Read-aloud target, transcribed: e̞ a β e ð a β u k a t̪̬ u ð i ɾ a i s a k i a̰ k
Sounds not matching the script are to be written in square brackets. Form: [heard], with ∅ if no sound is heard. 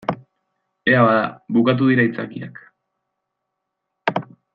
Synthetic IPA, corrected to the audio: e̞ a β [a] ð a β u k a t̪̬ u ð i ɾ a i [t͡s] a k i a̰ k

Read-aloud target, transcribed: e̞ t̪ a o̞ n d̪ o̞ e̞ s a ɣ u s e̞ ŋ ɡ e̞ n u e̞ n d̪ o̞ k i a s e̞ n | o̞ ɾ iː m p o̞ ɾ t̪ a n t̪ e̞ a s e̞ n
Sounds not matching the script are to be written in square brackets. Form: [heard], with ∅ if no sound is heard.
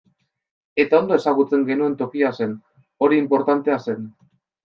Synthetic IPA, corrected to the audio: e̞ t̪ a o̞ n d̪ o̞ e̞ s a ɣ u [t͡s] e̞ ŋ ɡ e̞ n u e̞ n [t̪] o̞ k i a s e̞ n | o̞ ɾ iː m p o̞ ɾ t̪ a n t̪ e̞ a s e̞ n

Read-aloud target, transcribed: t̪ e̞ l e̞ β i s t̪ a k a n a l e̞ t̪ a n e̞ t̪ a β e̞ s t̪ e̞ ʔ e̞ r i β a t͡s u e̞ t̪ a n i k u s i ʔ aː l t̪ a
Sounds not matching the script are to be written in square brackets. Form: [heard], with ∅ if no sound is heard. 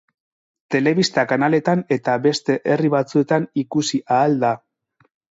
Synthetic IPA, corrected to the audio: t̪ e̞ l e̞ β i s t̪ a k a n a l e̞ t̪ a n e̞ t̪ a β e̞ s t̪ e̞ ʔ e̞ r i β a t͡s u e̞ t̪ a n i k u s i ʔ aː l [d̪] a

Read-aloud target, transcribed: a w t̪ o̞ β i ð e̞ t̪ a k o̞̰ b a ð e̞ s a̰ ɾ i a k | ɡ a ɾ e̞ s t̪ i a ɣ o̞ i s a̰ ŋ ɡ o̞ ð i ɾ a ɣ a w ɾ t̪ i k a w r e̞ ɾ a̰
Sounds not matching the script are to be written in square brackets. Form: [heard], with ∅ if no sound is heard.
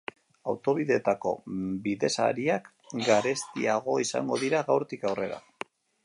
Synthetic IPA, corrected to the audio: a w t̪ o̞ β i ð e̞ t̪ a k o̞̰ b [i] ð e̞ s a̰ ɾ i a k | ɡ a ɾ e̞ s t̪ i a ɣ o̞ i s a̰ ŋ ɡ o̞ ð i ɾ a ɣ a w ɾ t̪ i k a w r e̞ ɾ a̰

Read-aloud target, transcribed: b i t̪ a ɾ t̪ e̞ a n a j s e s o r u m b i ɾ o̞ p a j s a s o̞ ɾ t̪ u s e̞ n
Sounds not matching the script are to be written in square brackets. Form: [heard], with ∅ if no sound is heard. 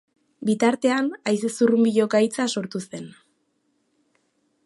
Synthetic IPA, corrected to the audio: b i t̪ a ɾ t̪ e̞ a n a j s e s [u] r u m b i [ʎ] o̞ [k] a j [t͡s] a s o̞ ɾ t̪ u s e̞ n

